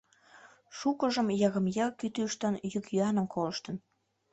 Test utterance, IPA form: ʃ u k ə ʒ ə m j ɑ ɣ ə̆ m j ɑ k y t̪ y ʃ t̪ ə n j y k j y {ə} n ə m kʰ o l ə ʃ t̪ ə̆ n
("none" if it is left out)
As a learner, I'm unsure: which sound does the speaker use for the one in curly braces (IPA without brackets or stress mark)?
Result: ɑ